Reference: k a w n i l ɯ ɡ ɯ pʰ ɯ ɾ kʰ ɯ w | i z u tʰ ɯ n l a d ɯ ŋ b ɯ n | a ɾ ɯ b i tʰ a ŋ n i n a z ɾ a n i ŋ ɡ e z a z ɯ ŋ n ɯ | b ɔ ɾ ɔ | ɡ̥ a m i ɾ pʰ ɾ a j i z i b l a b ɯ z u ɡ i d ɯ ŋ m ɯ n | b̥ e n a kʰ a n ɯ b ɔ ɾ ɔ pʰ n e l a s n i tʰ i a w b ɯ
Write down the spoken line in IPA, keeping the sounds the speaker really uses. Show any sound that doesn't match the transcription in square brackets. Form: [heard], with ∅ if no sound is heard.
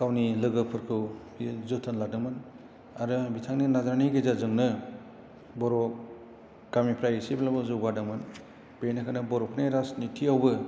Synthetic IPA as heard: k a w n i l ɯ ɡ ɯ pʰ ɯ ɾ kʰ ɯ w | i z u tʰ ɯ n l a d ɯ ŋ [m] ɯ n | a ɾ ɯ b i tʰ a ŋ n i n a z ɾ a n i [∅] ɡ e z a z ɯ ŋ n ɯ | b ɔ ɾ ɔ | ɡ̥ a m i [∅] pʰ ɾ a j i [s] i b l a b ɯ z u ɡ [a] d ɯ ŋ m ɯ n | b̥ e n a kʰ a n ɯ b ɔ ɾ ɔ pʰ n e [ɾ] a s n i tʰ i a w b ɯ